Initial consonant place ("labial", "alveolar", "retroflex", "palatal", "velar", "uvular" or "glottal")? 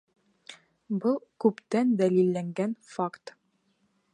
labial